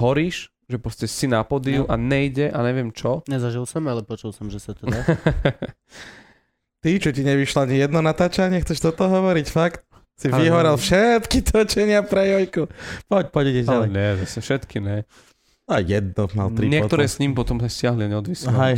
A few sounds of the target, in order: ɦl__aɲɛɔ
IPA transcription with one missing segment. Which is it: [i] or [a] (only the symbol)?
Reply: i